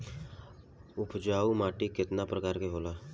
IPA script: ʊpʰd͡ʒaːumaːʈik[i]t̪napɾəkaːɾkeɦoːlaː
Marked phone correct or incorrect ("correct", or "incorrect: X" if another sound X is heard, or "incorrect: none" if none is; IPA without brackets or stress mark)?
incorrect: ɪ